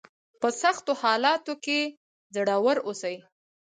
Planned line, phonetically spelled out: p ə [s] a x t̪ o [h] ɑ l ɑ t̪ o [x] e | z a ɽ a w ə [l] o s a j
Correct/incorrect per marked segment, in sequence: correct, correct, incorrect: k, incorrect: ɾ

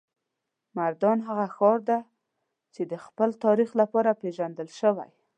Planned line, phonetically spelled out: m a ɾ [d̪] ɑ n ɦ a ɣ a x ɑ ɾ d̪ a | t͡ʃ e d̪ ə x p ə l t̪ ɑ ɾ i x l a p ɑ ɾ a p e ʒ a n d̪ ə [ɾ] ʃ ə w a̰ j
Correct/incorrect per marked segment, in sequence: correct, incorrect: l

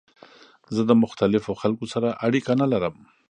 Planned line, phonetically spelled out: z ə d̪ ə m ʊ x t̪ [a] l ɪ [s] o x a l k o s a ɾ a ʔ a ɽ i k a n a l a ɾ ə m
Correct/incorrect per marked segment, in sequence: correct, incorrect: f

